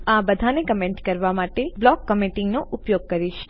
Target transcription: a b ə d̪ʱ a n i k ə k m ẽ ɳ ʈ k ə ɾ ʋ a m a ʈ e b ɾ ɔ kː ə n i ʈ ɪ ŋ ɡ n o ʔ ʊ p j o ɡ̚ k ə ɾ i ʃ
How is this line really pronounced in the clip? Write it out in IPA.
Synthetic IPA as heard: a b ə d̪ʱ a n e k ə m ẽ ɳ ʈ k ə ɾ ʋ a m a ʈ e b l ɔ kː ə m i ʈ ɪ ŋ ɡ n o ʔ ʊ p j o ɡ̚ k ə ɾ i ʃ